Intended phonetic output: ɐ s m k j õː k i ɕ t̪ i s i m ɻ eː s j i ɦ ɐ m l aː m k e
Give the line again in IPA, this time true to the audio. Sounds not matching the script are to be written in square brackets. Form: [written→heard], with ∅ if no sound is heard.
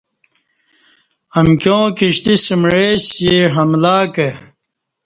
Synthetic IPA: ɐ [s→∅] m k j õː k i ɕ t̪ i s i m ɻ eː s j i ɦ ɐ m l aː [m→∅] k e